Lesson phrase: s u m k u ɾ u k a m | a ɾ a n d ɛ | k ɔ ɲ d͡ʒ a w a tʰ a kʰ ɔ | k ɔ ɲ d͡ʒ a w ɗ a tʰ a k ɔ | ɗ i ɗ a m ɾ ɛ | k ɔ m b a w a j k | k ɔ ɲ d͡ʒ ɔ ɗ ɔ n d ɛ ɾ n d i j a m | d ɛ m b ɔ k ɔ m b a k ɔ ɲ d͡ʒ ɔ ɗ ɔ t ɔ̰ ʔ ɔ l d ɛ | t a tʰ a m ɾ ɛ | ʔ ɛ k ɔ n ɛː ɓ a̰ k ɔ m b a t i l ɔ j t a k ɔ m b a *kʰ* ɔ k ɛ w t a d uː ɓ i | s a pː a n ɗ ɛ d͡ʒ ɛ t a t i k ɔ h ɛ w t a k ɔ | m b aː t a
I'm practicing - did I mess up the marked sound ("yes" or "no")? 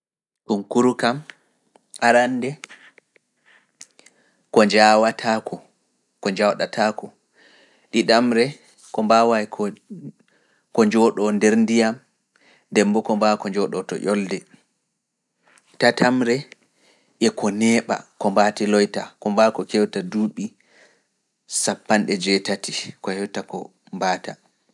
yes